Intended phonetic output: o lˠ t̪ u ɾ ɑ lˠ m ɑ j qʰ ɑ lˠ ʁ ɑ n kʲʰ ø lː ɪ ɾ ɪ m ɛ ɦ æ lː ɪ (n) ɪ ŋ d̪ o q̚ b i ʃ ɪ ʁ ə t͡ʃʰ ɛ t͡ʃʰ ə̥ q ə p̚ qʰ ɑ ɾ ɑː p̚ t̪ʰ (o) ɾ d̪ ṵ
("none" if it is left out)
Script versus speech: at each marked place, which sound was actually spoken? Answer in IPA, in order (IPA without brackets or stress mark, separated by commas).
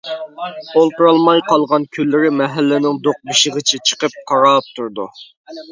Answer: n, u